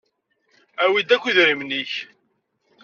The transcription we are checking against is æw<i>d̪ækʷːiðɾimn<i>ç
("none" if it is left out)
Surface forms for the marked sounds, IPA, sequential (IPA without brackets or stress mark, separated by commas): i, i